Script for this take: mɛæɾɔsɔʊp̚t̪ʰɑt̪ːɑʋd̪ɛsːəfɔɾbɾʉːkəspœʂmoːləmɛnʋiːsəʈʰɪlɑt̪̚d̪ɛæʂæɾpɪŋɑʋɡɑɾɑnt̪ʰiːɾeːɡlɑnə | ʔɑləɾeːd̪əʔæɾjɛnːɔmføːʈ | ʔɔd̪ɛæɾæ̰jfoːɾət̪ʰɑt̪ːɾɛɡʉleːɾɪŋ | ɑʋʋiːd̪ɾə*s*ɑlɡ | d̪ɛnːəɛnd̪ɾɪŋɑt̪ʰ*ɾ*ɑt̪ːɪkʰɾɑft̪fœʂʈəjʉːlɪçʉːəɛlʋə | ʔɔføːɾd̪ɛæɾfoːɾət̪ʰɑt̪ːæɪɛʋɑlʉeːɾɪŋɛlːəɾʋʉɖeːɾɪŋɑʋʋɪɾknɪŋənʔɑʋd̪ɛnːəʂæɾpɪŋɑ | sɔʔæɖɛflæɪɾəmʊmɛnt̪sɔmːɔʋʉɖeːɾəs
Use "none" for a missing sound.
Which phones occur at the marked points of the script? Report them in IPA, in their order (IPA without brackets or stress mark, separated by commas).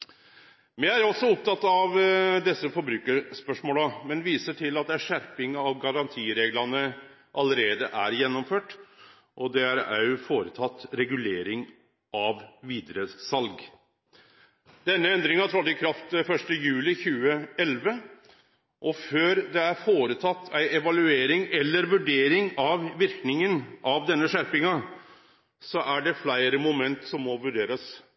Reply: s, ɾ